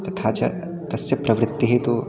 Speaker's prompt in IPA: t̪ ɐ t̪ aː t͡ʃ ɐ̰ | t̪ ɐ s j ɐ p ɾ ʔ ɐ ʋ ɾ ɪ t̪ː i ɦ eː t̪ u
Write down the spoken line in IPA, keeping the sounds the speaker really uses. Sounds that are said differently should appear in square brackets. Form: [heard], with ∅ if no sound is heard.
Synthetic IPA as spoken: t̪ ɐ [t̪ʰ] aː t͡ʃ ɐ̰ | t̪ ɐ s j ɐ p ɾ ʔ ɐ ʋ ɾ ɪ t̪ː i ɦ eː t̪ u

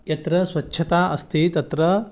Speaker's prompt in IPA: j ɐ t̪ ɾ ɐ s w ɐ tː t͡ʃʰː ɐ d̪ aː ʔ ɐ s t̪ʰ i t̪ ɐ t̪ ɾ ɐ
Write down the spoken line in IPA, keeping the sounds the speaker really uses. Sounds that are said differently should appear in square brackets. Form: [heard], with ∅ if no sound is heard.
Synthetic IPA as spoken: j ɐ t̪ ɾ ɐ s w ɐ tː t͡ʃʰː ɐ [t̪] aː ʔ ɐ s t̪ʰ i t̪ ɐ t̪ ɾ ɐ

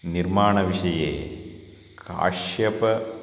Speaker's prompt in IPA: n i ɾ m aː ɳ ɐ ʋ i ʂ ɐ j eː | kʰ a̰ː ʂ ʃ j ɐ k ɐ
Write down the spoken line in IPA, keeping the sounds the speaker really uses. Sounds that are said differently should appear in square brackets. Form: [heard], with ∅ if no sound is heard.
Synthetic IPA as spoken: n i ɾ m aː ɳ ɐ ʋ i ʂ ɐ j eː | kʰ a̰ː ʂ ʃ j ɐ [p] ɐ

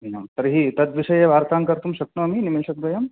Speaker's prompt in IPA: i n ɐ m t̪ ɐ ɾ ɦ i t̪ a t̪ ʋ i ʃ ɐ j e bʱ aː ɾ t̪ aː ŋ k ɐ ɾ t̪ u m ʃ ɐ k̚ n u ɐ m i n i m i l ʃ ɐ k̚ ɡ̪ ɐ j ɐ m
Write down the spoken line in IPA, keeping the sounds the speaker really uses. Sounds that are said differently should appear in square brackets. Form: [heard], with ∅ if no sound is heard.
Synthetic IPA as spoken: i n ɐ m t̪ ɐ ɾ ɦ i t̪ [ɐ] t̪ ʋ i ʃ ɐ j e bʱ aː ɾ t̪ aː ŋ k ɐ ɾ t̪ u m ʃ ɐ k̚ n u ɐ m i n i m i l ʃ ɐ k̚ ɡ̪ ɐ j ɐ m

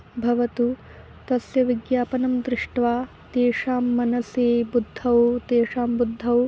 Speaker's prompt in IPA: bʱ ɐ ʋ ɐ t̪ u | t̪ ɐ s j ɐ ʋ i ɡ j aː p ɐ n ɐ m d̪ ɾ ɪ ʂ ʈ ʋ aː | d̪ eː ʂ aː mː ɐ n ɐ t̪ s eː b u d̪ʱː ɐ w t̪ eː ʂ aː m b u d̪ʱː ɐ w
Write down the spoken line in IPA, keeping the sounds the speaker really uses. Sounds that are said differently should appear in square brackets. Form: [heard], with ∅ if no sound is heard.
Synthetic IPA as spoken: bʱ ɐ ʋ ɐ t̪ u | t̪ ɐ s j ɐ ʋ i ɡ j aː p ɐ n ɐ m d̪ ɾ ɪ ʂ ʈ ʋ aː | [t̪] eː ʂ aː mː ɐ n ɐ [∅] s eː b u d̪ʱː ɐ w t̪ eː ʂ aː m b u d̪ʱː ɐ w

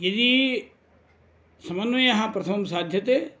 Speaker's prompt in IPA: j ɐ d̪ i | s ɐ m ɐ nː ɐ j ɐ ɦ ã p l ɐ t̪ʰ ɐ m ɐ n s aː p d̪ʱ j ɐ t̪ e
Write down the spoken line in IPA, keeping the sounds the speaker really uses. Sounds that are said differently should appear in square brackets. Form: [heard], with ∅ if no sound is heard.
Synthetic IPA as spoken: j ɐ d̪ i | s ɐ m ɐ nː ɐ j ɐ ɦ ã p [ɾ] ɐ t̪ʰ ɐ m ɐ [m] s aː [∅] d̪ʱ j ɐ t̪ e

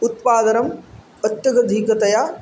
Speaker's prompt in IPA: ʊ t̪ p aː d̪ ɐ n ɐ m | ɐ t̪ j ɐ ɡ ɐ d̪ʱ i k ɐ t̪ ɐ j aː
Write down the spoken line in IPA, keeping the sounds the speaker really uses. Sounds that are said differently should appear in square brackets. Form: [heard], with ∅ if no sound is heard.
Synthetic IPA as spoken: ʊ t̪ p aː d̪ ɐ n ɐ m | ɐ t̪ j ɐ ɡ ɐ d̪ʱ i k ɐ t̪ ɐ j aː

